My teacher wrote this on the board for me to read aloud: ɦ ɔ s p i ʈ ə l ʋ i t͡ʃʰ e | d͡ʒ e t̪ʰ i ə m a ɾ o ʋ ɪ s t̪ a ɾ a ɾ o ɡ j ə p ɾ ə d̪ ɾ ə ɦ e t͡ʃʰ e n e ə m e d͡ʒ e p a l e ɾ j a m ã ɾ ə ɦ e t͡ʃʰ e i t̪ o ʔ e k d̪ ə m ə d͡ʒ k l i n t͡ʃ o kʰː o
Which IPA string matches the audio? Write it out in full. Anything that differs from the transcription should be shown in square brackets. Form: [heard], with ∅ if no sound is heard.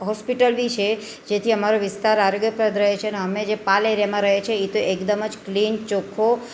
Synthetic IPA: ɦ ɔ s p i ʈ ə l ʋ i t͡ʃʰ e | d͡ʒ e t̪ʰ i ə m a ɾ o ʋ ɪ s t̪ a ɾ a ɾ o ɡ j ə p ɾ ə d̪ ɾ ə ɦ e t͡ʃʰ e n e ə m e d͡ʒ e p a l e ɾ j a m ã ɾ ə ɦ e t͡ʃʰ e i t̪ o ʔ e k d̪ ə m ə d͡ʒ k l i n t͡ʃ o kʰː o